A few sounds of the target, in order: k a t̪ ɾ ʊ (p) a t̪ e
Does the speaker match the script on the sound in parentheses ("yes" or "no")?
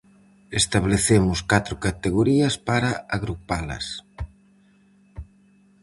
no